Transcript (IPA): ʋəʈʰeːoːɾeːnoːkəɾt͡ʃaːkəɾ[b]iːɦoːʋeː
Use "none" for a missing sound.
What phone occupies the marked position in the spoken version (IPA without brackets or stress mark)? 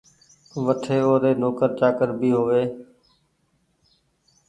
b